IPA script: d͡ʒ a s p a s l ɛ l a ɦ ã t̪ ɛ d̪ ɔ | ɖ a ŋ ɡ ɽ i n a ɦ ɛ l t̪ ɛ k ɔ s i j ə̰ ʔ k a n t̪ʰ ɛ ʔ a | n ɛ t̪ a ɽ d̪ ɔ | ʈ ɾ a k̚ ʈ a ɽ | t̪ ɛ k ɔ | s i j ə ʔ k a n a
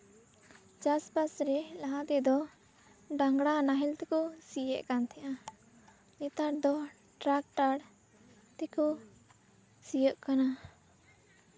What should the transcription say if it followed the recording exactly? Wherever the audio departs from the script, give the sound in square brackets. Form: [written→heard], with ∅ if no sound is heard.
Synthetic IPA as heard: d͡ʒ a s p a s [l→ɾ] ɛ l a ɦ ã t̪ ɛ d̪ ɔ | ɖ a ŋ ɡ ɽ [i→a] n a ɦ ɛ l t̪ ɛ k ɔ s i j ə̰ ʔ k a n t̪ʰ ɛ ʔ a | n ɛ t̪ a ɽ d̪ ɔ | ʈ ɾ a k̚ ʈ a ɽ | t̪ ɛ k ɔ | s i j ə ʔ k a n a